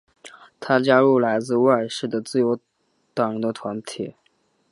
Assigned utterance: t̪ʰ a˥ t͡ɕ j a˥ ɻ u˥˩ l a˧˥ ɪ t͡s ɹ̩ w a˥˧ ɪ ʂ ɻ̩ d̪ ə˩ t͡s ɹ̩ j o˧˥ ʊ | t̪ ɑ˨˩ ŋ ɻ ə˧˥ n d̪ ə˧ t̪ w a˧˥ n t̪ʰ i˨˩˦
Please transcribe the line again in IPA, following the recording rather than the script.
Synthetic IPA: t̪ʰ a˥ t͡ɕ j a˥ ɻ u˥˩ l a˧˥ ɪ t͡s ɹ̩ w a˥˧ ɪ ʂ ɻ̩ d̪ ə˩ t͡s ɹ̩ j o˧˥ ʊ | t̪ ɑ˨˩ ŋ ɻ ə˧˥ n d̪ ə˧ t̪ʰ w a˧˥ n t̪ʰ i˨˩˦